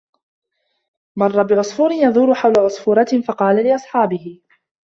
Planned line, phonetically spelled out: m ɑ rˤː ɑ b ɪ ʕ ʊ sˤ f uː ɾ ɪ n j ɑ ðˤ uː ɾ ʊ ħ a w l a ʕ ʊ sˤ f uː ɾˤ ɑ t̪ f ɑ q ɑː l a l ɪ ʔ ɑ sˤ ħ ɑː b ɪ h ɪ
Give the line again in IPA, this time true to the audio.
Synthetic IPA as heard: m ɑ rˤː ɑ b ɪ ʕ ʊ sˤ f uː ɾ ɪ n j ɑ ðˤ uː ɾ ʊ ħ a w l a ʕ ʊ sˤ f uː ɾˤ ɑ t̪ f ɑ q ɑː l a l ɪ ʔ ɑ sˤ ħ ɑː b ɪ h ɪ

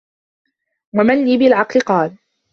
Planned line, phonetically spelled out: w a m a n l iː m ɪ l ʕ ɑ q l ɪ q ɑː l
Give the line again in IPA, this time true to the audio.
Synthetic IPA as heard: w a m a n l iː b ɪ l ʕ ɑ q l ɪ q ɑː l

